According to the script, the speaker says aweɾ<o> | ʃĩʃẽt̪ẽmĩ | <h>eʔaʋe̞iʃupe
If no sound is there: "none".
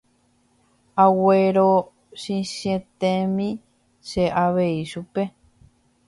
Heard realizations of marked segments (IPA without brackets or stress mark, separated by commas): o, ʃ